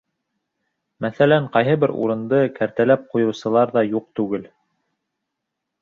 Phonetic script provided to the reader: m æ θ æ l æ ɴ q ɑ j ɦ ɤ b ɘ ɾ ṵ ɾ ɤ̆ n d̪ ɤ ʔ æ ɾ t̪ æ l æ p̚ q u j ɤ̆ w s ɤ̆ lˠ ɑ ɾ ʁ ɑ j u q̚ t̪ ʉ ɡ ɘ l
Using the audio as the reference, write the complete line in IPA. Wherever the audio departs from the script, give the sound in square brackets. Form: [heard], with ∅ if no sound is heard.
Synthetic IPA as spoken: m æ θ æ l æ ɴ q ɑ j ɦ ɤ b ɘ ɾ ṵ ɾ ɤ̆ n d̪ ɤ [k] æ ɾ t̪ æ l æ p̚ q u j ɤ̆ w s ɤ̆ lˠ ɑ ɾ [ð] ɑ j u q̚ t̪ ʉ ɡ ɘ l